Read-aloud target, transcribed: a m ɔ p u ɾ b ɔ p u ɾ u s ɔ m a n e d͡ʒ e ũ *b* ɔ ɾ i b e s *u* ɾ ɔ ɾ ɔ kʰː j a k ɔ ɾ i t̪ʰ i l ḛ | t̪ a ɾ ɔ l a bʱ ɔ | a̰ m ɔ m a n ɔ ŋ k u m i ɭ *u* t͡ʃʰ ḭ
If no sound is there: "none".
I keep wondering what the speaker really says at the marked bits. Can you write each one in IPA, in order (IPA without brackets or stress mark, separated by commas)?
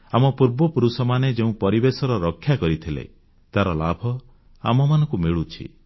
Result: p, ɔ, u